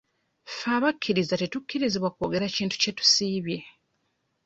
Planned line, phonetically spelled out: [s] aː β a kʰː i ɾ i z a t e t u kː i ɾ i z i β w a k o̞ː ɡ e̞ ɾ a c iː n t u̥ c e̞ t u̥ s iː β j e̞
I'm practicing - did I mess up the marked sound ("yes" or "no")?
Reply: yes